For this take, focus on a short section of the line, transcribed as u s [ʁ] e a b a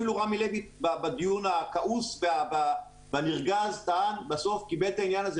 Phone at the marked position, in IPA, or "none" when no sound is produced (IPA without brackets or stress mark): v